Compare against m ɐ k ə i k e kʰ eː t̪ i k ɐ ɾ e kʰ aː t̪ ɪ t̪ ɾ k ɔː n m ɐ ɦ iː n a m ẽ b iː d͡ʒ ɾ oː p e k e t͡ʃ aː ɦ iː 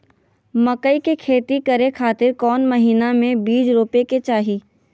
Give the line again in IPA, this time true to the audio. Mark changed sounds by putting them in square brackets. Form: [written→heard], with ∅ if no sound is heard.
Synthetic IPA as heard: m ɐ k ə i k e kʰ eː t̪ i k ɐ ɾ e kʰ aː t̪ ɪ [t̪→∅] ɾ k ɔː n m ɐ ɦ iː n a m ẽ b iː d͡ʒ ɾ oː p e k e t͡ʃ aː ɦ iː